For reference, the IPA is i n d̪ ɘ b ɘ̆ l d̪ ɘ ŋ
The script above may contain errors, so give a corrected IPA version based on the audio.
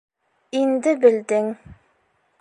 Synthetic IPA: i n d̪ ɘ b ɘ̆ l d̪ ɘ ŋ